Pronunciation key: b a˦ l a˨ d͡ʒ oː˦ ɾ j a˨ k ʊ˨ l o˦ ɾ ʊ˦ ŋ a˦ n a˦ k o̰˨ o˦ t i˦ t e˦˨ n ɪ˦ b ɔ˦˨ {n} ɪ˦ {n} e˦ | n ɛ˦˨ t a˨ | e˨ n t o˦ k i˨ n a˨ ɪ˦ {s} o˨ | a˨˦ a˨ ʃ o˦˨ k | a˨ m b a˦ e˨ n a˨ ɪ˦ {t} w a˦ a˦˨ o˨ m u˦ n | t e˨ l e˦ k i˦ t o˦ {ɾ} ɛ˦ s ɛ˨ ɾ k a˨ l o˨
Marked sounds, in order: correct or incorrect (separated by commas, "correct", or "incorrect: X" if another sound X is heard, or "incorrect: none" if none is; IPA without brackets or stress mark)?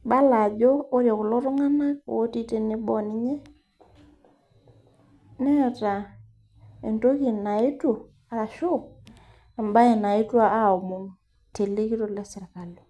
correct, incorrect: ɲ, incorrect: t, correct, incorrect: l